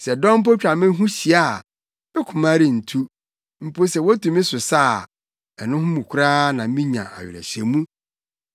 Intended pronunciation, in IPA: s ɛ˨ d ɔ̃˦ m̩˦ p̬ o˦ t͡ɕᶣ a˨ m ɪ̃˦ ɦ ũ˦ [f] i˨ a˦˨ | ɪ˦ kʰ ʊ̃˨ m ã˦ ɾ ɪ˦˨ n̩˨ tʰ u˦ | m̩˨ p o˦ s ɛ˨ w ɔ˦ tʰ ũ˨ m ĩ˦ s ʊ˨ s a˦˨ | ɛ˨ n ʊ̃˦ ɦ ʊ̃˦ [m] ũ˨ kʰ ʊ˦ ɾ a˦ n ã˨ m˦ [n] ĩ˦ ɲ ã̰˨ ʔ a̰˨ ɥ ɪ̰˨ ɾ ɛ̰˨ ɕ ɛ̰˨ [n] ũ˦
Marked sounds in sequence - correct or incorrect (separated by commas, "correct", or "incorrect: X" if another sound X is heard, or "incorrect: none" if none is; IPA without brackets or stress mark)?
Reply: incorrect: ɕ, correct, incorrect: m, incorrect: m